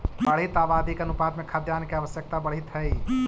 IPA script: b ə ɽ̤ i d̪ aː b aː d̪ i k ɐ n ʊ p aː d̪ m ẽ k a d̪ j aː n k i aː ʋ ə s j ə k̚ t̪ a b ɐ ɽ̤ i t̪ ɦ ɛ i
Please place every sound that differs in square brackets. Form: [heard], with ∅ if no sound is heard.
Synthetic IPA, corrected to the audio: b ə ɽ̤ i [t̪] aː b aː d̪ i k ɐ n ʊ p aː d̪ m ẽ [kʰ] a d̪ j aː n k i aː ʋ ə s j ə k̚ t̪ a b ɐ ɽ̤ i t̪ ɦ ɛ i